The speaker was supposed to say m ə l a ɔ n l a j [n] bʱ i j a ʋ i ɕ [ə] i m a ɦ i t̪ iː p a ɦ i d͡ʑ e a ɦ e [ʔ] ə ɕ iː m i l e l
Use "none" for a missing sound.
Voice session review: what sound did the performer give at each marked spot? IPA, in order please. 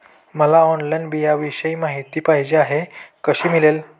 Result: n, ə, k

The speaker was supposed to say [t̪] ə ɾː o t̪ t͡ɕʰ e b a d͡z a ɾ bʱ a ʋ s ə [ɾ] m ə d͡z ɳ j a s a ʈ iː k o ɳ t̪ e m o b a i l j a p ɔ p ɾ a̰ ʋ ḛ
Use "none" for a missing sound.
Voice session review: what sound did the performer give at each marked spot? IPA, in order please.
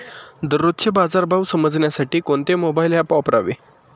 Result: d̪, none

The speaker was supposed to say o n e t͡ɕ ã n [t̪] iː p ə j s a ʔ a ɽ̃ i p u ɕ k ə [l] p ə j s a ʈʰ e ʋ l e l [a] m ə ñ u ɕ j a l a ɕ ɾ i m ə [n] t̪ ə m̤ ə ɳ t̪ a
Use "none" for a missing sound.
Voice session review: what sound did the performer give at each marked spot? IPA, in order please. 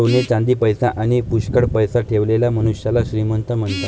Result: d̪, ɽ, a, n

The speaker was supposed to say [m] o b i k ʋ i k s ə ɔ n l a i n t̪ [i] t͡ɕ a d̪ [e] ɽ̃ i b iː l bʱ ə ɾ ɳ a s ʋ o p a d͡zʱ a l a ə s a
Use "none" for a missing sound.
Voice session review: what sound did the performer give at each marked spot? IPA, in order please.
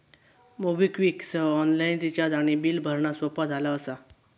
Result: m, i, a

